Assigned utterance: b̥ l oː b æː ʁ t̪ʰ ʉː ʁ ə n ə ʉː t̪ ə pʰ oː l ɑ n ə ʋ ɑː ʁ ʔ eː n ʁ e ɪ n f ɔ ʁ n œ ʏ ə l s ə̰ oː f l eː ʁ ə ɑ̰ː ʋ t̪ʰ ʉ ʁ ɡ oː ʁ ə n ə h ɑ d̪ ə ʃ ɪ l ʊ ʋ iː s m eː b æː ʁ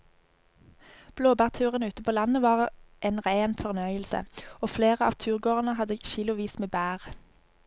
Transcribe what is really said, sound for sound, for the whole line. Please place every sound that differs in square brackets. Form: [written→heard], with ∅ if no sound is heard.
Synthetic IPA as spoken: b̥ l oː b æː ʁ t̪ʰ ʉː ʁ ə n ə ʉː t̪ ə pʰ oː l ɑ n ə ʋ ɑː ʁ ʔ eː n ʁ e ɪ n f ɔ ʁ n œ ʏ ə l s ə̰ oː f l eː ʁ ə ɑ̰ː ʋ t̪ʰ [ʉ→ʉː] ʁ ɡ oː ʁ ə n ə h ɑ d̪ ə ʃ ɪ l ʊ ʋ iː s m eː b æː ʁ